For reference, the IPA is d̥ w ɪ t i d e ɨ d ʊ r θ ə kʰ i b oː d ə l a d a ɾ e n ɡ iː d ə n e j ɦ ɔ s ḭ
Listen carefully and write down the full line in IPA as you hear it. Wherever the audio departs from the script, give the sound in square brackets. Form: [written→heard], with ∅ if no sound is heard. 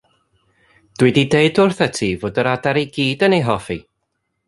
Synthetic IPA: d̥ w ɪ [t→d] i d e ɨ d ʊ r θ ə [kʰ→tʰ] i [b→v] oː d ə [l→ɾ] a d a ɾ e [n→∅] ɡ iː d ə n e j ɦ ɔ [s→f] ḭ